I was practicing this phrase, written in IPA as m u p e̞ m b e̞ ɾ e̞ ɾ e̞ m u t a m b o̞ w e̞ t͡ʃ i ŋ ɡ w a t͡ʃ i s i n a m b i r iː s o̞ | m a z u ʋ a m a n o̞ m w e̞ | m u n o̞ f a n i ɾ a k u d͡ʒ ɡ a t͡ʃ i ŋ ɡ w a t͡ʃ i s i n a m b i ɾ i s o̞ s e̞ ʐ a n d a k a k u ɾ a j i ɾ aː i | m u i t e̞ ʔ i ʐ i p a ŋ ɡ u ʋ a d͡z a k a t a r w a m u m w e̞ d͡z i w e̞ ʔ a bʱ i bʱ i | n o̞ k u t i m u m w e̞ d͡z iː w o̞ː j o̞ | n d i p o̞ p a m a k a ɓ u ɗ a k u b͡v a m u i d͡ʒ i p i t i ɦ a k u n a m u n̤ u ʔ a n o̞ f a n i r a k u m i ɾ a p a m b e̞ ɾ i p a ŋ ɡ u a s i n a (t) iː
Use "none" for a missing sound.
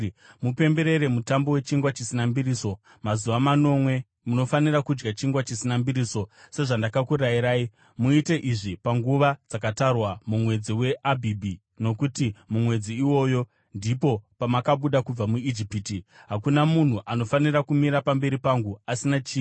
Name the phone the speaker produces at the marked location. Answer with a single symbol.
t͡ʃ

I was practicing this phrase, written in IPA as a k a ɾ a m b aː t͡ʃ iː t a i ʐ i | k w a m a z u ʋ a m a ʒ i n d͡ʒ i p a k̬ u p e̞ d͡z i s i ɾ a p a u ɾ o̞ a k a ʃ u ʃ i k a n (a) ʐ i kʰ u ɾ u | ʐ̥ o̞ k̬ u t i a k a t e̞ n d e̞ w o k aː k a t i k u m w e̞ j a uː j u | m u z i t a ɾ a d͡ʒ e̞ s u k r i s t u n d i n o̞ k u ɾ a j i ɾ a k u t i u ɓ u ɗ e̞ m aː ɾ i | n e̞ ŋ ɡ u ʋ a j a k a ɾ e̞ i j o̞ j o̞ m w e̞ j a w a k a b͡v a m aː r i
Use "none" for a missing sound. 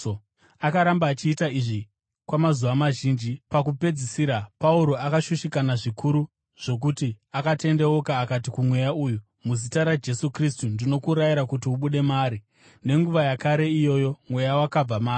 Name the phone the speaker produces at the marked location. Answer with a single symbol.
a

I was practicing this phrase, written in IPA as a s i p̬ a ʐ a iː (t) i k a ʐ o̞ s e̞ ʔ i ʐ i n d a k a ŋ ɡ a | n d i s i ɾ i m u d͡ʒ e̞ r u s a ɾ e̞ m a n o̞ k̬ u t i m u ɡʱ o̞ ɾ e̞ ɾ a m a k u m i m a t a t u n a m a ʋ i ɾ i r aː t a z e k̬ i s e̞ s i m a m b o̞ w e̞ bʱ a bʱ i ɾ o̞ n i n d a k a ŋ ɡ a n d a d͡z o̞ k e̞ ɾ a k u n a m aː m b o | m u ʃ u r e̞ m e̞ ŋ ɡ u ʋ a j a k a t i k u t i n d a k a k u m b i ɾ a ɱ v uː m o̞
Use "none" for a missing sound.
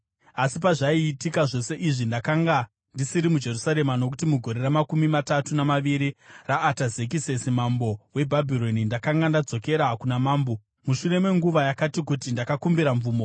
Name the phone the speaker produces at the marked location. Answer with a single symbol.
t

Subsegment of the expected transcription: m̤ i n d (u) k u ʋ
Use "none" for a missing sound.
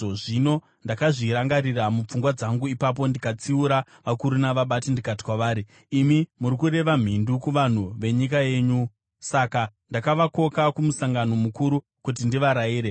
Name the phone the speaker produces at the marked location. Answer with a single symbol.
u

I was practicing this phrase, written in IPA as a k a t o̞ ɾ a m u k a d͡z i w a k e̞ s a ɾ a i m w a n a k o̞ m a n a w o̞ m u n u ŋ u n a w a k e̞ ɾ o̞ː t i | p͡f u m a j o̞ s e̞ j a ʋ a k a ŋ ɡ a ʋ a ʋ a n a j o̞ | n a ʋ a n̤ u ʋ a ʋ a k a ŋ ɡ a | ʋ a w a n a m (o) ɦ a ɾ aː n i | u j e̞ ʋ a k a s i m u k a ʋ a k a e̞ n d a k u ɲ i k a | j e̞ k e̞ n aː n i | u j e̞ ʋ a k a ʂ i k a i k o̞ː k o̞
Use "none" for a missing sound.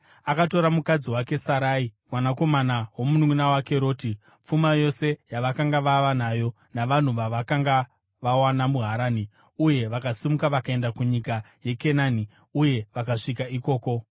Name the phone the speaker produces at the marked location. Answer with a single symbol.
u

